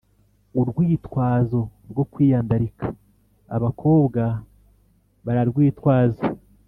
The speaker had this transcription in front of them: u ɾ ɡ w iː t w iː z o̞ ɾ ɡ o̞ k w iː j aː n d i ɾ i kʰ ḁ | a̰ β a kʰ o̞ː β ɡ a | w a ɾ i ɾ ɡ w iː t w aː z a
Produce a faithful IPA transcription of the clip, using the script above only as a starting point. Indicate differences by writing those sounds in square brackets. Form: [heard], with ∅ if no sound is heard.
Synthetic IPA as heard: u ɾ ɡ w iː t w [aː] z o̞ ɾ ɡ o̞ k w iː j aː n d [a] ɾ i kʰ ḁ | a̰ β a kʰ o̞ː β ɡ a | [β] a ɾ [a] ɾ ɡ w iː t w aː z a